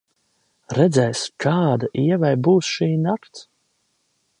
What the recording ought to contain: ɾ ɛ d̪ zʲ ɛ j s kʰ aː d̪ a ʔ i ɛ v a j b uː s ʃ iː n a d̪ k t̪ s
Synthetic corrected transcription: ɾ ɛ d̪ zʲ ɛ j s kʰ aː d̪ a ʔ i ɛ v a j b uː s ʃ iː n a k t̪ s